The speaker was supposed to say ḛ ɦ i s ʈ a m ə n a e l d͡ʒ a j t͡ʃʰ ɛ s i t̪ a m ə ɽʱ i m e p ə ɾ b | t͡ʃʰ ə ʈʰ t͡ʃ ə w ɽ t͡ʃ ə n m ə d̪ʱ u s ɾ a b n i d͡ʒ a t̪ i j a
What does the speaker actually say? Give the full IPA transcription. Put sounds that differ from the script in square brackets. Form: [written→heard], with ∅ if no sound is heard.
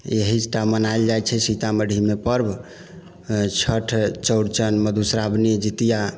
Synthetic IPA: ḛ ɦ i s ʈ a m ə n a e l d͡ʒ a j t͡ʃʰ ɛ s i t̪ a m ə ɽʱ i m e p ə ɾ b | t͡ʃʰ ə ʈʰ t͡ʃ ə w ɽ t͡ʃ ə n m ə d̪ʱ u s ɾ a b n i d͡ʒ [a→i] t̪ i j a